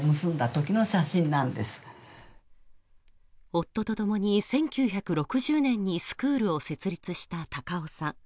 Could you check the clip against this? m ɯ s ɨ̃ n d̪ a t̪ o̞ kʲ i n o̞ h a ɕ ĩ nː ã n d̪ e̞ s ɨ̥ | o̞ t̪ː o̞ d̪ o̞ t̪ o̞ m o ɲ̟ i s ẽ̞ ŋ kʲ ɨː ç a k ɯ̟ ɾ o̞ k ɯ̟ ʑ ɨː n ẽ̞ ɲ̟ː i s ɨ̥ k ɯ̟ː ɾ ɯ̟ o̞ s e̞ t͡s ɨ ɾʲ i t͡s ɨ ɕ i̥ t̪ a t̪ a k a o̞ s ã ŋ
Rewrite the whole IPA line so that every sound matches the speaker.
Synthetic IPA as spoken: m ɯ s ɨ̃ n d̪ a t̪ o̞ kʲ i n o̞ ɕ a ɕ ĩ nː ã n d̪ e̞ s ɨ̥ | o̞ t̪ː o̞ t̪ o̞ t̪ o̞ m o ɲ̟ i s ẽ̞ ŋ kʲ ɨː ç a k ɯ̟ ɾ o̞ k ɯ̟ ʑ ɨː n ẽ̞ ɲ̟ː i s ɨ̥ k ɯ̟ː ɾ ɯ̟ o̞ s e̞ t͡s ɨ ɾʲ i t͡s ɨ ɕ i̥ t̪ a t̪ a k a o̞ s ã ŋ

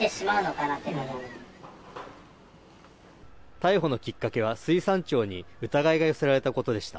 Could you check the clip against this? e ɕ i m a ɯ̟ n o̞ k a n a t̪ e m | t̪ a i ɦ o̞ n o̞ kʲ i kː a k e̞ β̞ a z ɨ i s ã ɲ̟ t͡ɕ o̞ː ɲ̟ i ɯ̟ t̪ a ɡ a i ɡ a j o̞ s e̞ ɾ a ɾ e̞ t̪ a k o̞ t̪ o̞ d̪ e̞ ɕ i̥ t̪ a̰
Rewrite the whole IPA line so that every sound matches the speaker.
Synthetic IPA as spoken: e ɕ i m a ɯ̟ n o̞ k a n a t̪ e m | t̪ a i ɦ o̞ n o̞ kʲ i kː a k e̞ β̞ a s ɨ i s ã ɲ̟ t͡ɕ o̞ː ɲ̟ i ɯ̟ t̪ a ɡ a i ɡ a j o̞ s e̞ ɾ a ɾ e̞ t̪ a k o̞ t̪ o̞ d̪ e̞ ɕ i̥ t̪ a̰

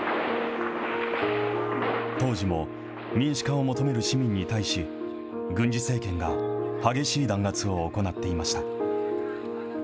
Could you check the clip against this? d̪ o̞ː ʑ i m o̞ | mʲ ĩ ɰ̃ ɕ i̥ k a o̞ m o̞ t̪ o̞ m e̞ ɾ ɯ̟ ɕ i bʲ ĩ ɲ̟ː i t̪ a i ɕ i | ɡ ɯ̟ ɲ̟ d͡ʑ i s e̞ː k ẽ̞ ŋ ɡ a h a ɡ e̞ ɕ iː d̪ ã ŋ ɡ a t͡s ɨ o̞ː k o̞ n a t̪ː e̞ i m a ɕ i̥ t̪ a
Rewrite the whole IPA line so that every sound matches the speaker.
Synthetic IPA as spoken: t̪ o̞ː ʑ i m o̞ | mʲ ĩ ɰ̃ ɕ i̥ k a o̞ m o̞ t̪ o̞ m e̞ ɾ ɯ̟ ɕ i mʲ ĩ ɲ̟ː i t̪ a i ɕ i | ɡ ɯ̟̃ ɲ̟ d͡ʑ i s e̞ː k ẽ̞ ŋ ɡ a h a ɡ e̞ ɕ iː d̪ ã ŋ ɡ a t͡s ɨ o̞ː k o̞ n a t̪ː e̞ i m a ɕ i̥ t̪ a

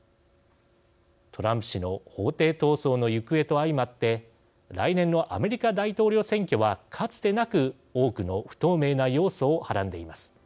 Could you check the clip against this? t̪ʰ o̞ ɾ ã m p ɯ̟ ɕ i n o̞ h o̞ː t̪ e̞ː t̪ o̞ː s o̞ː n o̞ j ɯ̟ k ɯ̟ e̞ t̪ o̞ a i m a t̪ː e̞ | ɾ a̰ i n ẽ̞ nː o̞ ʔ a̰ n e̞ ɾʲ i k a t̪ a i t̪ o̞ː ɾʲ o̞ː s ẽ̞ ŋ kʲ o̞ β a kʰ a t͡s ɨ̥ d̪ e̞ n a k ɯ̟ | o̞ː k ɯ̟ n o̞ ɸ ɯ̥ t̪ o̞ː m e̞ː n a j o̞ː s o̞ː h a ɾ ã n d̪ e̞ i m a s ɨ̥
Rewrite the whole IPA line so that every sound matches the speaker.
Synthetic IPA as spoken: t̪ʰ o̞ ɾ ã m p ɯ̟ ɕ i n o̞ h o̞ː t̪ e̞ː t̪ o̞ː s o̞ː n o̞ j ɯ̟ k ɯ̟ e̞ t̪ o̞ a i m a t̪ː e̞ | ɾ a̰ i n ẽ̞ nː o̞ ʔ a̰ m e̞ ɾʲ i k a d̪ a i t̪ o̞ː ɾʲ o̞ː s ẽ̞ ŋ kʲ o̞ β a kʰ a t͡s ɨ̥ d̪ e̞ n a k ɯ̟ | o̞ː k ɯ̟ n o̞ ɸ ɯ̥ t̪ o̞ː m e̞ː n a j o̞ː s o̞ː h a ɾ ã n d̪ e̞ i m a s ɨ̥

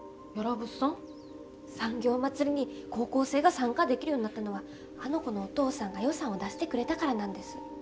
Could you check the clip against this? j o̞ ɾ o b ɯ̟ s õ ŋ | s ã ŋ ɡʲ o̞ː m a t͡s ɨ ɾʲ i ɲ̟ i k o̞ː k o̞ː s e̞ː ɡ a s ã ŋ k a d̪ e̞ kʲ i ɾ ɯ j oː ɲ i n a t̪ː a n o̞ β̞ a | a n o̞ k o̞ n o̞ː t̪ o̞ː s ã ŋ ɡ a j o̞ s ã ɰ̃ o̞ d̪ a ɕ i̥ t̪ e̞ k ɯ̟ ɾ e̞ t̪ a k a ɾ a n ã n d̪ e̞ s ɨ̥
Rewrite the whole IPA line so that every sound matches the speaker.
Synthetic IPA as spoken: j o̞ ɾ o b ɯ̟ s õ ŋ | s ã ŋ ɡʲ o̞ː m a t͡s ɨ ɾʲ i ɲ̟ i k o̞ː k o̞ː s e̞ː ɡ a s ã ŋ k a d̪ e̞ kʲ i ɾ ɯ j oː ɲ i n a t̪ː a n o̞ β̞ a | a n o̞ k o̞ n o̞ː t̪ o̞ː s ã ŋ ɡ a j o̞ s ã ɰ̃ o̞ d̪ a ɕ i̥ t̪ e̞ k ɯ̟ ɾ e̞ t̪ a k a ɾ a n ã n d̪ e̞ s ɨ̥

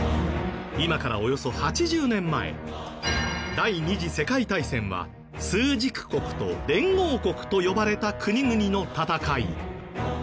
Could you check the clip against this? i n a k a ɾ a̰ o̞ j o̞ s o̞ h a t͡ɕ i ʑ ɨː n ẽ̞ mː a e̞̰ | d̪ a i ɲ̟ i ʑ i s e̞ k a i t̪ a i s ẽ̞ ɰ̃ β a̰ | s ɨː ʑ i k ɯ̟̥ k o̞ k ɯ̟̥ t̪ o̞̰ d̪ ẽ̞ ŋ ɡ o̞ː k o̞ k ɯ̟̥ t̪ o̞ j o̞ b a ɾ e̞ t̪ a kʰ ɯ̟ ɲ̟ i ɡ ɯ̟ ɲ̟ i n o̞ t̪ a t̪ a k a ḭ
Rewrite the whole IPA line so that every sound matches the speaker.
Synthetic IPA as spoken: i m a k a ɾ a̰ o̞ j o̞ s o̞ h a t͡ɕ i ʑ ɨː n ẽ̞ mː a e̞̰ | d̪ a i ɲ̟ i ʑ i s e̞ k a i t̪ a i s ẽ̞ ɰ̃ β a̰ | s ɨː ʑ i k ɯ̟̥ k o̞ k ɯ̟̥ t̪ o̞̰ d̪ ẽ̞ ŋ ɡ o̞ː k o̞ k ɯ̟̥ t̪ o̞ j o̞ b a ɾ e̞ t̪ a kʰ ɯ̟ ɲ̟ i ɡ ɯ̟ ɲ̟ i n o̞ t̪ a t̪ a k a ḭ

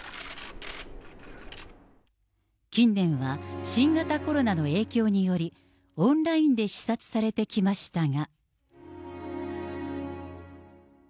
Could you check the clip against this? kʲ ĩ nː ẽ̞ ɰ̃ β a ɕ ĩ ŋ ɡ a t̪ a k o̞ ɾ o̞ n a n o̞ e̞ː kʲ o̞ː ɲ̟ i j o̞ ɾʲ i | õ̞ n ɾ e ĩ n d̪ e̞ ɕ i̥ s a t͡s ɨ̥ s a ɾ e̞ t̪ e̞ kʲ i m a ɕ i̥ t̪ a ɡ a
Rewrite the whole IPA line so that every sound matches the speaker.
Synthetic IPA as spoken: kʲ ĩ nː ẽ̞ ɰ̃ β a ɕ ĩ ŋ ɡ a t̪ a k o̞ ɾ o̞ n a n o̞ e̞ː kʲ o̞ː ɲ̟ i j o̞ ɾʲ i | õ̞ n ɾ a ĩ n d̪ e̞ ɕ i̥ s a t͡s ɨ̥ s a ɾ e̞ t̪ e̞ kʲ i m a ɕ i̥ t̪ a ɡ a

